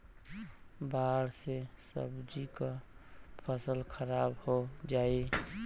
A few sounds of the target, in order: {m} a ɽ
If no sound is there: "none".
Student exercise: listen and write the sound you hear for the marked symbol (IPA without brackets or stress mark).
b